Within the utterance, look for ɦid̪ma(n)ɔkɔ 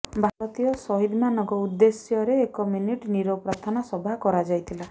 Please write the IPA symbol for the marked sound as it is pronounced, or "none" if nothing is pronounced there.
n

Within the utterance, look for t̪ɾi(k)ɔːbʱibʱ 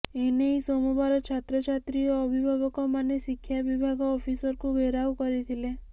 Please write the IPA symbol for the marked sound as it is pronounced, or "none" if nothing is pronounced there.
none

